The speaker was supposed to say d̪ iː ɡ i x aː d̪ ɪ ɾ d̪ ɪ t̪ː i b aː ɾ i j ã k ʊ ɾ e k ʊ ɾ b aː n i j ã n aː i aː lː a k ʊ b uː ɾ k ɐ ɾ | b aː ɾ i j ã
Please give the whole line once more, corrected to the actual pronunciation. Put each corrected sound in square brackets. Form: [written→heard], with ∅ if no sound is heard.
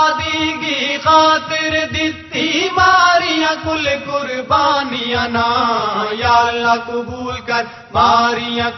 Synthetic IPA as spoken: d̪ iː ɡ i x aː [d̪→t̪] ɪ ɾ d̪ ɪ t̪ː i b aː ɾ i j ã k ʊ [ɾ→l] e k ʊ ɾ b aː n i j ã n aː [i→j] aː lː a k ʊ b uː [ɾ→l] k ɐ ɾ | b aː ɾ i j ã